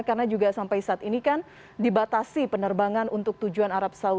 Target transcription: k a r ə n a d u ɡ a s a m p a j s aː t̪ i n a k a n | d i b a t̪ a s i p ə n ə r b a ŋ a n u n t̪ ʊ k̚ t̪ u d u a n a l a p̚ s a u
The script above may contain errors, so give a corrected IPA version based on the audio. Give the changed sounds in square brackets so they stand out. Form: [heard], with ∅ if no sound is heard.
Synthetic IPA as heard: k a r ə n a [d͡ʒ] u ɡ a s a m p a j s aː t̪ i n [i] k a n | d i b a t̪ a s i p ə n ə r b a ŋ a n u n t̪ ʊ k̚ t̪ u [d͡ʒ] u a n a [ɾ] a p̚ s a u